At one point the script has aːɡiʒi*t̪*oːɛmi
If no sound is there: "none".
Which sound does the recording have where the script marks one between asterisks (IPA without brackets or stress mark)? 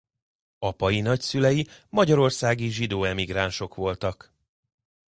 d̪